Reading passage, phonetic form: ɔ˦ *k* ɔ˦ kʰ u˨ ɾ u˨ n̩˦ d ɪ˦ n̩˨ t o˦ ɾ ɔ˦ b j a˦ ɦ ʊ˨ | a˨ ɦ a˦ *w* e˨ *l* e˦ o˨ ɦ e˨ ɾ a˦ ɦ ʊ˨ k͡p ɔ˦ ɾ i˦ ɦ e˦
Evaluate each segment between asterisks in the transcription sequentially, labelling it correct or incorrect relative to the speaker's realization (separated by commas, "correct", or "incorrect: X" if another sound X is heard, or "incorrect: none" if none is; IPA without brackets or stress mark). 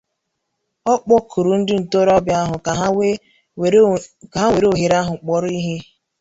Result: incorrect: k͡p, correct, incorrect: ɾ